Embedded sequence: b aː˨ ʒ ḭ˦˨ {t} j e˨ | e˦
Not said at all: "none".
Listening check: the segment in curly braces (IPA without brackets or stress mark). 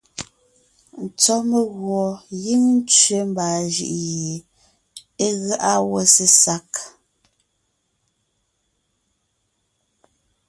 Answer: ʔ